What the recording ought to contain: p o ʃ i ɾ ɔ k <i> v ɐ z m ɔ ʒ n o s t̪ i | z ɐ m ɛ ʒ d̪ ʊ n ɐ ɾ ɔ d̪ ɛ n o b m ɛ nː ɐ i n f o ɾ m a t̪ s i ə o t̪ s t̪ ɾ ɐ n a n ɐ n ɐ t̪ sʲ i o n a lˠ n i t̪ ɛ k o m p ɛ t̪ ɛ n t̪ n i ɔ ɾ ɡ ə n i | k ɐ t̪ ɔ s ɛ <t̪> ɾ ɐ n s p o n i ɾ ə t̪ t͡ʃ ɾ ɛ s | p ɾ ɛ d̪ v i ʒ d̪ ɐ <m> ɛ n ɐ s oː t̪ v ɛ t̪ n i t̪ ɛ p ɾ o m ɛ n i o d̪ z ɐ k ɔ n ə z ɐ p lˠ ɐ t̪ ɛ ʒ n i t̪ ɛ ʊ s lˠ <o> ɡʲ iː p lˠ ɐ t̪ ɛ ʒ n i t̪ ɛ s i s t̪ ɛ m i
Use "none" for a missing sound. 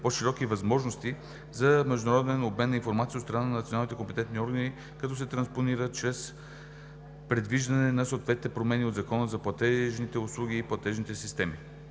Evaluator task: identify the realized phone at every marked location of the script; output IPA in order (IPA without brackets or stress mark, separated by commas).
i, t̪, n, u